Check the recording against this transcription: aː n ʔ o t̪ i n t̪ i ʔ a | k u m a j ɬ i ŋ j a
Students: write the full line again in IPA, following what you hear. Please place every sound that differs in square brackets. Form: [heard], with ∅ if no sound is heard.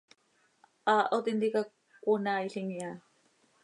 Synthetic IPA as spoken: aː [∅] ʔ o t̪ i n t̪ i [k] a | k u [n] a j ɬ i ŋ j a

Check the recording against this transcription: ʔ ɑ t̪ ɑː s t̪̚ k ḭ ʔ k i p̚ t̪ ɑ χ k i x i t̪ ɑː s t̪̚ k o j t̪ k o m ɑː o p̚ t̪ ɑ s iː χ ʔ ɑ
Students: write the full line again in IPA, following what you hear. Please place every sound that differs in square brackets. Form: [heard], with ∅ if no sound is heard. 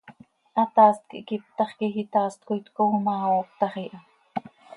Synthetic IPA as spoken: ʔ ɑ t̪ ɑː s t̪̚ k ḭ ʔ k i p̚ t̪ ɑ χ k i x i t̪ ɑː s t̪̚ k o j t̪ k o m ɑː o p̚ t̪ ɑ [χ] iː [∅] ʔ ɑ

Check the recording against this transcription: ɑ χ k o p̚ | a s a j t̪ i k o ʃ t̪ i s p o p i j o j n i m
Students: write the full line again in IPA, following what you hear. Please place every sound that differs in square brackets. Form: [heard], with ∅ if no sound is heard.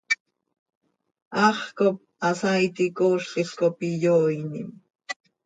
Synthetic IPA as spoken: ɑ χ k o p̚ | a s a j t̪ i k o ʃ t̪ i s [k] o p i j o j n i m

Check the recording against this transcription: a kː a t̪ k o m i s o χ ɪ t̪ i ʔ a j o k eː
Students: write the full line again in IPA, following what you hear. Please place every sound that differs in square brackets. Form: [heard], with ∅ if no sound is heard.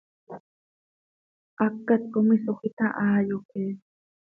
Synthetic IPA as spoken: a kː a t̪ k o m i s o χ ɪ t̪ [a] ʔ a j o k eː

